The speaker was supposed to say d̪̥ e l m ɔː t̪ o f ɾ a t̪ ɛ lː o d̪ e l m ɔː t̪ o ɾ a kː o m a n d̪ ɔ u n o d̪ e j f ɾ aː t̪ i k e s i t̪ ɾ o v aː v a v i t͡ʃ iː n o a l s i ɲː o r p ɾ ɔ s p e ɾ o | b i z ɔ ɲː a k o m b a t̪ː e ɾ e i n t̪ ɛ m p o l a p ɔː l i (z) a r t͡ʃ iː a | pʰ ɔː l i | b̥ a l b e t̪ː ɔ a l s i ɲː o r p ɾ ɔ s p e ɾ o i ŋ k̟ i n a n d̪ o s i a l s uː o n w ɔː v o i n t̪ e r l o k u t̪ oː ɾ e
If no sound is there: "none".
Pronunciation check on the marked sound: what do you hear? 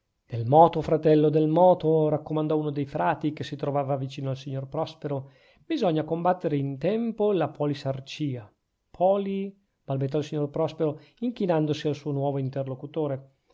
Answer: s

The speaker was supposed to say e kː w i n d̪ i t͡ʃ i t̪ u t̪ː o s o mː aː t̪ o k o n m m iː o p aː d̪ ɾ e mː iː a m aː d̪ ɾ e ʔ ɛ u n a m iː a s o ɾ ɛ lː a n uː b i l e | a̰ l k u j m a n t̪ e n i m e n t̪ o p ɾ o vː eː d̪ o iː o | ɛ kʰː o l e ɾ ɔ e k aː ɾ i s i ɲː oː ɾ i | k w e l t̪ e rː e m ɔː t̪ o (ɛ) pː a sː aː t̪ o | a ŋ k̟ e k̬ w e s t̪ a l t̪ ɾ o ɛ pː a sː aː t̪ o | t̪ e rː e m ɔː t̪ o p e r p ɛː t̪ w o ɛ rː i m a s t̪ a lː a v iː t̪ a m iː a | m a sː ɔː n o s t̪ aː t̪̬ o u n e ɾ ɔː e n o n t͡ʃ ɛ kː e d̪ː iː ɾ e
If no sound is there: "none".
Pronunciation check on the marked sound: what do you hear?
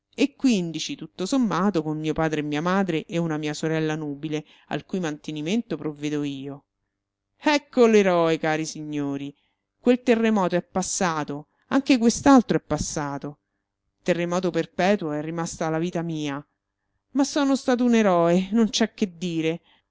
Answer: ɛ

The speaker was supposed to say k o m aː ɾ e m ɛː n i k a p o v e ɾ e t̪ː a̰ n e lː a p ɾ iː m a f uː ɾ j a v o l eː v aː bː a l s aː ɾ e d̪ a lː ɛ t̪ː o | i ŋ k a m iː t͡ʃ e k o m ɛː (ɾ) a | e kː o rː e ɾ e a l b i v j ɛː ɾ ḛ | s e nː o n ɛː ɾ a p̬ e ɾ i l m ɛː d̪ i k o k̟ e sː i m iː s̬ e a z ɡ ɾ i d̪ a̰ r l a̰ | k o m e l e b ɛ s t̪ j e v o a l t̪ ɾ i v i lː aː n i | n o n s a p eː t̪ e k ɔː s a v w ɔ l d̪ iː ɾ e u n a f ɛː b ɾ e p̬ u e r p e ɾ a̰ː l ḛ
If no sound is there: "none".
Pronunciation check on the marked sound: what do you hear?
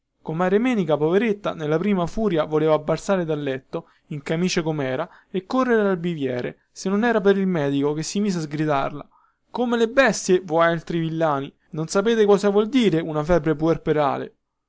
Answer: ɾ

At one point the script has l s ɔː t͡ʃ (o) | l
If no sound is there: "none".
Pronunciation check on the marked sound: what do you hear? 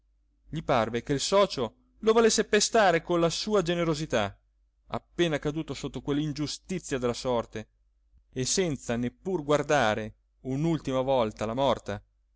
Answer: o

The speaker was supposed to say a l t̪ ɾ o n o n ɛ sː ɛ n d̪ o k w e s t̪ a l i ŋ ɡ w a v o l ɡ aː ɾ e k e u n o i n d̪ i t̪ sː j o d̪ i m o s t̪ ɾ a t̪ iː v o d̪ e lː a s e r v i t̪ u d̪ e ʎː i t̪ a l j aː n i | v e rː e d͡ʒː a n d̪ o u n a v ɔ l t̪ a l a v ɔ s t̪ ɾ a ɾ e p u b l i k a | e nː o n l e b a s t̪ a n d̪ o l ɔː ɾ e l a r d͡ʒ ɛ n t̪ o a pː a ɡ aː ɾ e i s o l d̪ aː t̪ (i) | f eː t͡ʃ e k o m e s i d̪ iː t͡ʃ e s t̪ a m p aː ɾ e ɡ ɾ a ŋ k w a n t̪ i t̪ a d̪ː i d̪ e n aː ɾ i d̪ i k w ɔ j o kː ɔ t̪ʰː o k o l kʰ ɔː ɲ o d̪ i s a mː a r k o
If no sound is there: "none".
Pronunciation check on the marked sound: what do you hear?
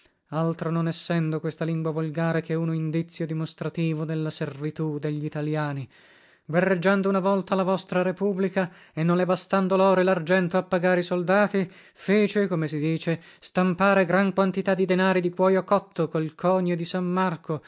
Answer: i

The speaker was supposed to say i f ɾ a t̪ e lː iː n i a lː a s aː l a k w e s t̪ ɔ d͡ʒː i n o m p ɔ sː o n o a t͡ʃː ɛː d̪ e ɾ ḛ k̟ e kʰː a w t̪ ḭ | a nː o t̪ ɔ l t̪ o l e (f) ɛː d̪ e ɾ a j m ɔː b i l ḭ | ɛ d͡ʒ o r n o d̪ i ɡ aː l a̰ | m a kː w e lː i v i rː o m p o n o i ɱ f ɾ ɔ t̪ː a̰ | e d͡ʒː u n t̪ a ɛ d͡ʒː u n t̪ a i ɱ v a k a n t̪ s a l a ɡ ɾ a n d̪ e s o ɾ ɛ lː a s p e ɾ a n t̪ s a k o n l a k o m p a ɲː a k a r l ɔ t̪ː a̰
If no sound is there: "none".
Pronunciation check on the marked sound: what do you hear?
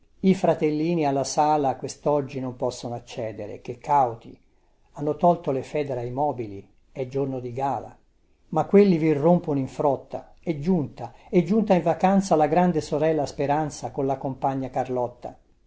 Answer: f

